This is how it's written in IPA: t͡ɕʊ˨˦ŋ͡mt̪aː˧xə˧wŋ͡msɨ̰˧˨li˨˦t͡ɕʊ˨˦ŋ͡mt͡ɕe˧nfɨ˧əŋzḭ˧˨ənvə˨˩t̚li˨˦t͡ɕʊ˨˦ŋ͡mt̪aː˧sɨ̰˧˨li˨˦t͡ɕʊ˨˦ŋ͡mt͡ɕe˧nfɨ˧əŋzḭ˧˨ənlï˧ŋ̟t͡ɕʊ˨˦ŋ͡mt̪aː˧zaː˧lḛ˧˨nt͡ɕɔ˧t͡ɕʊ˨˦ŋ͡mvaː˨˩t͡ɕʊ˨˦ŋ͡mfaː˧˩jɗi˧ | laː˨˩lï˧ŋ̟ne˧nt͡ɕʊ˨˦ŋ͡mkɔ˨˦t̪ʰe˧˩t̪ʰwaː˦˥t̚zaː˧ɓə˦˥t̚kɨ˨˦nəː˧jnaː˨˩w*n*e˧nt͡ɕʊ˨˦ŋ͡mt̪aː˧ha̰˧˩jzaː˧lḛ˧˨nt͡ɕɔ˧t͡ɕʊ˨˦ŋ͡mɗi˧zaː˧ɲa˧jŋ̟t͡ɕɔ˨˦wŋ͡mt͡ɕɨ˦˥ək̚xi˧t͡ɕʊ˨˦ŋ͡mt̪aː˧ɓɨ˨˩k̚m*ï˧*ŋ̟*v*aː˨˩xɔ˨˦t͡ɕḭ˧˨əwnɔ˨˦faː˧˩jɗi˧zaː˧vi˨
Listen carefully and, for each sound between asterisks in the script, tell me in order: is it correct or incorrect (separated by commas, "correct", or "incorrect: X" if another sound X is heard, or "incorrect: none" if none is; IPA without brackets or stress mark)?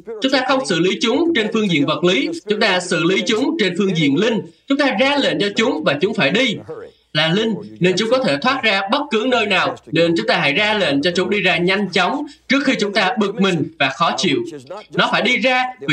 correct, incorrect: ï˨˩, correct